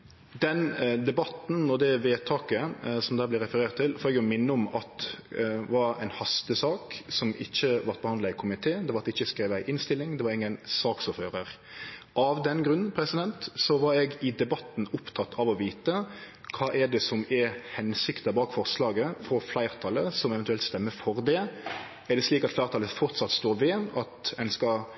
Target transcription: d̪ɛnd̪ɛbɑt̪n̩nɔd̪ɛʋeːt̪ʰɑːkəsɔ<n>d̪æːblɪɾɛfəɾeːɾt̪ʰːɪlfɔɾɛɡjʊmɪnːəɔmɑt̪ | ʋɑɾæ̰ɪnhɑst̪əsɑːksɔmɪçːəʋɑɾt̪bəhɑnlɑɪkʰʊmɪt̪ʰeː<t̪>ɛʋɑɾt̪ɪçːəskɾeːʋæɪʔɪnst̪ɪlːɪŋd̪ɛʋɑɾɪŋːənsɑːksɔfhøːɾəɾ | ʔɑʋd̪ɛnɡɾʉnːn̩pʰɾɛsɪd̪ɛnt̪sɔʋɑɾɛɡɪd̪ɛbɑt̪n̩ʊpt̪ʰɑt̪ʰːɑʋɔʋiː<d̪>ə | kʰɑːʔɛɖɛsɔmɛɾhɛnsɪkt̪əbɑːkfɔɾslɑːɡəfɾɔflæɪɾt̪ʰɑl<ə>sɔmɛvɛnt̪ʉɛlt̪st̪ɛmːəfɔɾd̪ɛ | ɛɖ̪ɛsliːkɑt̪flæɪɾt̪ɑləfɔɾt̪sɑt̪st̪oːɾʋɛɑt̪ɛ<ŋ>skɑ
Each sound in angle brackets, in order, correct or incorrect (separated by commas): incorrect, incorrect, incorrect, correct, incorrect